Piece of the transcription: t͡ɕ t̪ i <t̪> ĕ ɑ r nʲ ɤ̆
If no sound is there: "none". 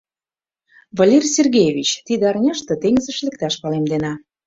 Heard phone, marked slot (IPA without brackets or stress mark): d̪